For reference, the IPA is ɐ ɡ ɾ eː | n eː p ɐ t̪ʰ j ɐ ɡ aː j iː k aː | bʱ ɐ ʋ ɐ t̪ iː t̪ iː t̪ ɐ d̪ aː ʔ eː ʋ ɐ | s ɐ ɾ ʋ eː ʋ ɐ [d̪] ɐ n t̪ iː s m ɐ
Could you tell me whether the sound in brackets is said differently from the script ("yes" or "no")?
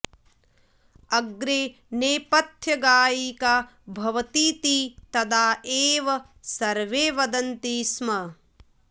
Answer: no